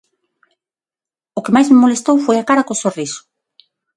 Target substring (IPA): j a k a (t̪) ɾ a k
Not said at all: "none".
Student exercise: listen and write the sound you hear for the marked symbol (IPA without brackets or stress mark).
none